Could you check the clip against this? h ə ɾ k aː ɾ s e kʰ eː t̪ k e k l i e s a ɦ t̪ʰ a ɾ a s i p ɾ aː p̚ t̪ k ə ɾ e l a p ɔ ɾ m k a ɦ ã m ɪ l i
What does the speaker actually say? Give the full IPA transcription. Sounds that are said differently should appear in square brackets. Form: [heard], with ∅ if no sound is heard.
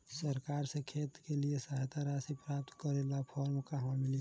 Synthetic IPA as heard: [s] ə ɾ k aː ɾ s e kʰ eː t̪ k e [∅] l i e s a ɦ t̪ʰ a ɾ a s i p ɾ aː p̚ t̪ k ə ɾ e l a [pʰ] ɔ ɾ m k a ɦ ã m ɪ l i